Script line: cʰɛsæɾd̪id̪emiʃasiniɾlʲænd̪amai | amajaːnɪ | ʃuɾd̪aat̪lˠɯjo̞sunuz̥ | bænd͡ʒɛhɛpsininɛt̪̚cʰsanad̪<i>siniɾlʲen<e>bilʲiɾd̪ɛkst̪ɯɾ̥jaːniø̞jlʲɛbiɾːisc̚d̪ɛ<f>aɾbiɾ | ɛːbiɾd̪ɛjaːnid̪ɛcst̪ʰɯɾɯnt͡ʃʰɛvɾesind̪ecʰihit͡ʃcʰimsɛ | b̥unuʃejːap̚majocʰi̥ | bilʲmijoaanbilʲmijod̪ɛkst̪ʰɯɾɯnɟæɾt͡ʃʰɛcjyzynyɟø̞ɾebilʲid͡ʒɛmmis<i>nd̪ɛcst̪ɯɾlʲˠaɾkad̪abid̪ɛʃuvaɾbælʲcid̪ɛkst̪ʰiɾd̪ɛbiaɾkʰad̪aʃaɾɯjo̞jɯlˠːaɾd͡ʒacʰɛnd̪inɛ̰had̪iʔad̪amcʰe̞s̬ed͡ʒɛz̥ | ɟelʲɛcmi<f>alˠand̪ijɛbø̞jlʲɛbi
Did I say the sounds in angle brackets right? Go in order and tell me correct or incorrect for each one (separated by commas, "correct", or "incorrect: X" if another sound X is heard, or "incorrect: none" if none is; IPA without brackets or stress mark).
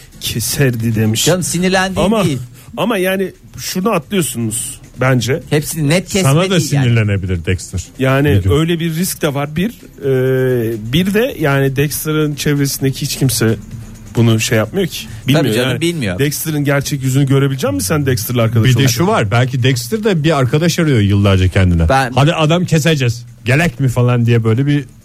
incorrect: a, correct, incorrect: v, incorrect: æ, correct